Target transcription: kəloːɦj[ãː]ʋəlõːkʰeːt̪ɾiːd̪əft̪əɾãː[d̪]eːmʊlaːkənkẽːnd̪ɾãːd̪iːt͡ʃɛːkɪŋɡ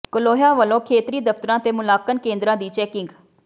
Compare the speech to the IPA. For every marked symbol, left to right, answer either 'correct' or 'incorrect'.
incorrect: aː, incorrect: t̪

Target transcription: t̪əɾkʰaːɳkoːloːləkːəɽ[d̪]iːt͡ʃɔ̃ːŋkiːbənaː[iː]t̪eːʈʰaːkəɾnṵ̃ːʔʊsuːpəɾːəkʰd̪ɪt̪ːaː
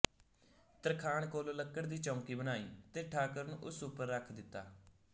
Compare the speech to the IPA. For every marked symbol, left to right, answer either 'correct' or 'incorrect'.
correct, correct

